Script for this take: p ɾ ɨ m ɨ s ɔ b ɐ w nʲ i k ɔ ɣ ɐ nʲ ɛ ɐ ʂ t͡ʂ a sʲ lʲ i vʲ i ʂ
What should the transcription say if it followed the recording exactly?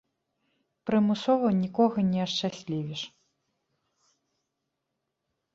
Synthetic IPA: p ɾ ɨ m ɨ s ɔ v ɐ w nʲ i k ɔ ɣ ɐ nʲ ɛ ɐ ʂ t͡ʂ a sʲ lʲ i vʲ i ʂ